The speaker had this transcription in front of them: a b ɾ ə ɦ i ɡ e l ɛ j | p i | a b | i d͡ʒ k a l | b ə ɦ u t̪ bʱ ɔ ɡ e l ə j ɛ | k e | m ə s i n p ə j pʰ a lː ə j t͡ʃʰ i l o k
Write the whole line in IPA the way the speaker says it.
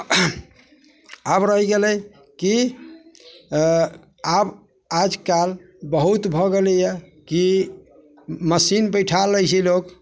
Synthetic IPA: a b ɾ ə ɦ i ɡ e l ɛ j | k i | a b | a d͡ʒ k a l | b ə ɦ u t̪ bʱ ɔ ɡ e l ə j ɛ | k i | m ə s i n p ə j ʈʰ a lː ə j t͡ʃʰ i l o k